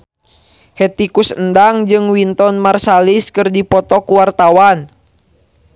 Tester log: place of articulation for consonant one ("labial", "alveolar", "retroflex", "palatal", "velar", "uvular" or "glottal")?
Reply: glottal